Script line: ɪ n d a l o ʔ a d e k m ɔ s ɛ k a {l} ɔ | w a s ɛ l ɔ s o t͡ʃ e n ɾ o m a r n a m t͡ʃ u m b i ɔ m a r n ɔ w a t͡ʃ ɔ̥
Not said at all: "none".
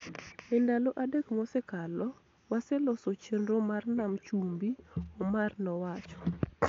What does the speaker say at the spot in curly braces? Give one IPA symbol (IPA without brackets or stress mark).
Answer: l